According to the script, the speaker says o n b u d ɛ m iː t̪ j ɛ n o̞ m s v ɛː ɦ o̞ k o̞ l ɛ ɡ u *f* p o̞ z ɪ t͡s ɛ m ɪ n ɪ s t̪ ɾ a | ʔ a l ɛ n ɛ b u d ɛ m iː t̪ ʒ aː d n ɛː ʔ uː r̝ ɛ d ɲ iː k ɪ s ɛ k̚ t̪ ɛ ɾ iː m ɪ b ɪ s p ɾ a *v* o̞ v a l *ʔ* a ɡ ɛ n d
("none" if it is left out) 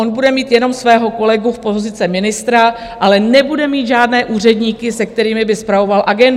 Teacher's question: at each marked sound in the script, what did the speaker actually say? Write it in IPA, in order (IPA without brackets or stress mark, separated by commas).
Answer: f, v, ʔ